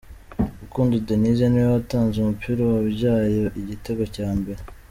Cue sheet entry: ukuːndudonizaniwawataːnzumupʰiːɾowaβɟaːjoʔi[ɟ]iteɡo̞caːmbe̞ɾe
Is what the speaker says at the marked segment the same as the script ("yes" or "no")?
yes